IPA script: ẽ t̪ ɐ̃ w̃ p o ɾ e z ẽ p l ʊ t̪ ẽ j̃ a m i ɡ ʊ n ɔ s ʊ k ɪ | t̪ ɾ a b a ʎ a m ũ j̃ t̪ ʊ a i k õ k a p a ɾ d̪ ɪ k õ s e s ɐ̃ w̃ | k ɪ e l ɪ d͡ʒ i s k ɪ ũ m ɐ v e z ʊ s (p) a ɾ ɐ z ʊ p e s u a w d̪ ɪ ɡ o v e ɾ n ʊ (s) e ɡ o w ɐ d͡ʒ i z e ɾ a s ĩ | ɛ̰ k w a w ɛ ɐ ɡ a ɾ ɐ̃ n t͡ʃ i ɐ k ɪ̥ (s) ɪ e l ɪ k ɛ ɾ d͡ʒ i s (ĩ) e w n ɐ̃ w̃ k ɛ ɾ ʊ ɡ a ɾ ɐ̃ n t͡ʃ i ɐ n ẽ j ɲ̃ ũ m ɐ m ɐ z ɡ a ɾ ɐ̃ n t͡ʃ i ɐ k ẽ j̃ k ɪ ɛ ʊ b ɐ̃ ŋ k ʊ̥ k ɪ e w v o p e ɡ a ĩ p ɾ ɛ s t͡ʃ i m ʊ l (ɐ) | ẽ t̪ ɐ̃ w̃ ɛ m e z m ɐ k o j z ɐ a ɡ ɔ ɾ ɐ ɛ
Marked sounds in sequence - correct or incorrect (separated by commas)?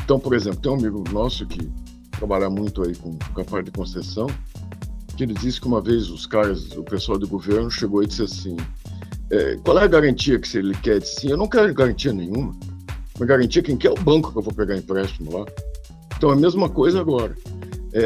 incorrect, incorrect, correct, correct, incorrect